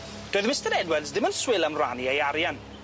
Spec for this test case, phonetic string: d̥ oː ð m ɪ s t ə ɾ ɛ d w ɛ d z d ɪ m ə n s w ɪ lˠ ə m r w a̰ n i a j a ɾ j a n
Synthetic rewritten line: d̥ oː ð m ɪ s t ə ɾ ɛ d w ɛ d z d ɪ m ə n s w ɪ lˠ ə m r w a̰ n i e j a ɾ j a n